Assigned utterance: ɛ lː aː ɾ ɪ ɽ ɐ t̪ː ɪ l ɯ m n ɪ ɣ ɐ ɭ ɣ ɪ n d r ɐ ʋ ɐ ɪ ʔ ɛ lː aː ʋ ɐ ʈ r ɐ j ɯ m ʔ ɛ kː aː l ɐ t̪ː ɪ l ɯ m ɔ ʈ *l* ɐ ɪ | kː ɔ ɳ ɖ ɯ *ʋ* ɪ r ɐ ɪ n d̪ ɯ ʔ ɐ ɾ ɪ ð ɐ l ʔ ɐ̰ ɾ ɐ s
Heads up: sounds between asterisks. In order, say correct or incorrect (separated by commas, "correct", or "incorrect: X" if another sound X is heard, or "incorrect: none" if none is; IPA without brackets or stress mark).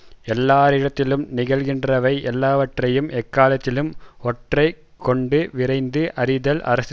incorrect: r, correct